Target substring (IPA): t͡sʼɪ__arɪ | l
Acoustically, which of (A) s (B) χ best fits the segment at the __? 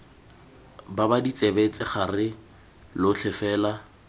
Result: B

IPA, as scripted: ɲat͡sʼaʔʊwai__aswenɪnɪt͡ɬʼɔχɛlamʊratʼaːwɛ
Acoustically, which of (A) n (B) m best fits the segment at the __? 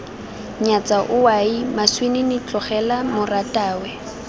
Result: B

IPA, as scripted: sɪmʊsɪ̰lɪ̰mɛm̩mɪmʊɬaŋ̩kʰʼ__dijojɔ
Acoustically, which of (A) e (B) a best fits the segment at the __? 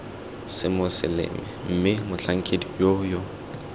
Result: A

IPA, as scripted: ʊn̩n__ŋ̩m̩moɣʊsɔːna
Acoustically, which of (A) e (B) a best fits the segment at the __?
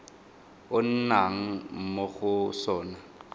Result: B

